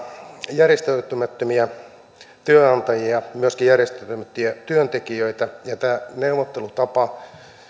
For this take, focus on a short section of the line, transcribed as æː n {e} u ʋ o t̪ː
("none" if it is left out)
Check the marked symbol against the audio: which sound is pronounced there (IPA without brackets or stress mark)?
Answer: e